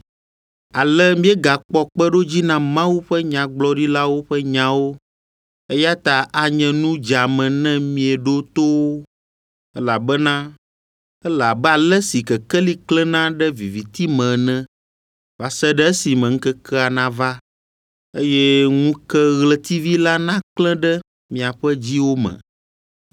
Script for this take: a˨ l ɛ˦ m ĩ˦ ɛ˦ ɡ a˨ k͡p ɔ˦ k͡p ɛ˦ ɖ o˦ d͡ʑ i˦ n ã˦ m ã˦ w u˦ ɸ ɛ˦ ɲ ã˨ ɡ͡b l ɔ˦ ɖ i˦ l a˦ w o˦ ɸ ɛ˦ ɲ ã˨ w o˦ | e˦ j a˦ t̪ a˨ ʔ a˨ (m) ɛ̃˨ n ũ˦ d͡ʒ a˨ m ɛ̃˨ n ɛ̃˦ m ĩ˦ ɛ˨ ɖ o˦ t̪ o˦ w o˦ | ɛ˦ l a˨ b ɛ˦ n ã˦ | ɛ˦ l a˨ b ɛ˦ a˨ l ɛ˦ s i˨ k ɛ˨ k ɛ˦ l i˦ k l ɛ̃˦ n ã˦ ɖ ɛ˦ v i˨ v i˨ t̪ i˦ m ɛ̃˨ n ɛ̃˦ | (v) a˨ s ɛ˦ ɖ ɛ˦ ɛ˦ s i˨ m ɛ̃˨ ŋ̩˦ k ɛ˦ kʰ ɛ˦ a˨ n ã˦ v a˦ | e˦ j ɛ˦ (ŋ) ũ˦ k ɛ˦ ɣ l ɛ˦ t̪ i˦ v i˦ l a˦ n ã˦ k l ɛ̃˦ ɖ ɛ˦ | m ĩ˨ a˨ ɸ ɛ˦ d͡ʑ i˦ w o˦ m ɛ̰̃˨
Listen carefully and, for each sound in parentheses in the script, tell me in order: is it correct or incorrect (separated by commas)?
incorrect, correct, correct